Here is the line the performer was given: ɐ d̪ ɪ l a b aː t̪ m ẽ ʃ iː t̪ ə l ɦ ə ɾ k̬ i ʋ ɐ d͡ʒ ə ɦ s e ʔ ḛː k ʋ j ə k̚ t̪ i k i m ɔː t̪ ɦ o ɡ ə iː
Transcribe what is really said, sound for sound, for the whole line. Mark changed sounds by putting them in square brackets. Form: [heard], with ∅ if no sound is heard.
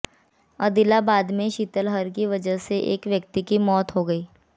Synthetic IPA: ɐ d̪ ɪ l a b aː [d̪] m ẽ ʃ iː t̪ ə l ɦ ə ɾ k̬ i ʋ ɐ d͡ʒ ə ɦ s e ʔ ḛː k ʋ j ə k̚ t̪ i k i m ɔː t̪ ɦ o ɡ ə iː